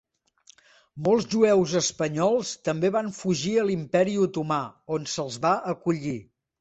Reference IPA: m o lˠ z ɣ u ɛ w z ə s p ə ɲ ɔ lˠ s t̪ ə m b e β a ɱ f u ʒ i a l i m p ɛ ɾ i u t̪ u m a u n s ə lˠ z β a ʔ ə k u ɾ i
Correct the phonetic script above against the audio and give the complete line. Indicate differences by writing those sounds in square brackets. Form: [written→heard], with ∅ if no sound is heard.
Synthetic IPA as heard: m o lˠ z [ɣ→ʒ] u ɛ w z ə s p ə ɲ ɔ lˠ s t̪ ə m b e β a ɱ f u ʒ i [a→ə] l i m p ɛ ɾ i u t̪ u m a [u→o] n s ə lˠ z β a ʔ ə k u [ɾ→ʎ] i